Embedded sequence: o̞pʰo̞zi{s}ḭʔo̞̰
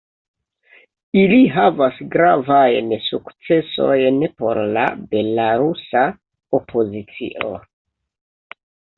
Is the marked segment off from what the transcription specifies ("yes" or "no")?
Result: yes